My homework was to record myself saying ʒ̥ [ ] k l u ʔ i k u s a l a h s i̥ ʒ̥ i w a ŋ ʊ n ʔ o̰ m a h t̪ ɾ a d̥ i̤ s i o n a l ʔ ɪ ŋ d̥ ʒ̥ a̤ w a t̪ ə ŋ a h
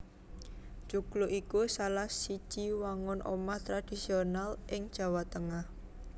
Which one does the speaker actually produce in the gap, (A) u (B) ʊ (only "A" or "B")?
A